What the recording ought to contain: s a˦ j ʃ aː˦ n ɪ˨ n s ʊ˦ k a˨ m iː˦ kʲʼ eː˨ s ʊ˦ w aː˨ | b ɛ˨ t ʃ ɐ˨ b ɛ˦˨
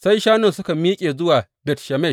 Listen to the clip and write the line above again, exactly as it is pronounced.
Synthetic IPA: s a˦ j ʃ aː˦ n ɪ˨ n s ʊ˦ k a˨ m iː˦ kʲʼ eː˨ z ʊ˦ w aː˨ | b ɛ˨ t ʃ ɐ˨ m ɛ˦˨